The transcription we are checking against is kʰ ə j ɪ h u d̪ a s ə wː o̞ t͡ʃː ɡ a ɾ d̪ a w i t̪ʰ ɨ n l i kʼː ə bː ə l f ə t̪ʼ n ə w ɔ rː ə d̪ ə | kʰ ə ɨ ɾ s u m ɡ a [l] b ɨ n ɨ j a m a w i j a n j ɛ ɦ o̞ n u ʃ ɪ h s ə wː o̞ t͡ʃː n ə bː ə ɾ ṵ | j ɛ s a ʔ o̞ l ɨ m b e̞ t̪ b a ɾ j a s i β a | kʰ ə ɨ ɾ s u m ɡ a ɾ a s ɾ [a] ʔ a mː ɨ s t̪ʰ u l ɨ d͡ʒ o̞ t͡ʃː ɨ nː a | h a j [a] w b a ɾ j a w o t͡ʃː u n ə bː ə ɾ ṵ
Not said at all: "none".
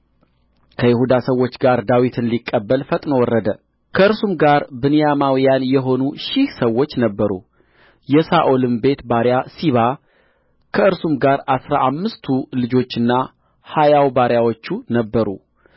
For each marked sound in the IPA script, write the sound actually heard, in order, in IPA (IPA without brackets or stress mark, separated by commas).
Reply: ɾ, a, a